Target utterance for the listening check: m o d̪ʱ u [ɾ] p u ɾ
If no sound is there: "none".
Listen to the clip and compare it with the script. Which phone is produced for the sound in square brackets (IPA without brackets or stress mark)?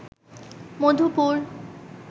none